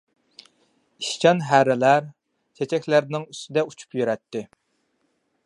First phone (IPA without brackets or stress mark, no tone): i